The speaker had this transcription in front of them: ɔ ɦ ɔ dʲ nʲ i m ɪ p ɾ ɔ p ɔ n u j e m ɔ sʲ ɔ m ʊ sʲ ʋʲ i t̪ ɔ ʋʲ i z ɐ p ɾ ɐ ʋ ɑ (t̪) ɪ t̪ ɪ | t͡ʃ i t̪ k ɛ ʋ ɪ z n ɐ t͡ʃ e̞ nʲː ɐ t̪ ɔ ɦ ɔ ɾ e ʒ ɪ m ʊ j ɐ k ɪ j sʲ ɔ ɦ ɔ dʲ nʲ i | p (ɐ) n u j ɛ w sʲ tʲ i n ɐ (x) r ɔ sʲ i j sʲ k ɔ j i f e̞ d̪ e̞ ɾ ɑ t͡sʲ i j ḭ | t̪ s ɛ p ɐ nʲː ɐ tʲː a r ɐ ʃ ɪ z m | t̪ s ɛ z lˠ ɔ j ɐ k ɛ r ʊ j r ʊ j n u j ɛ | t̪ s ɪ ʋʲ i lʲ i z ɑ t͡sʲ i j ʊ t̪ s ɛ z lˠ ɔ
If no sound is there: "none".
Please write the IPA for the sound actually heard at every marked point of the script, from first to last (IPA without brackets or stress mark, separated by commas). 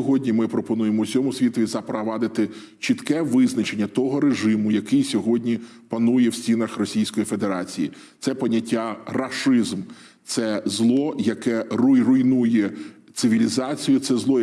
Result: d̪, ɐ, x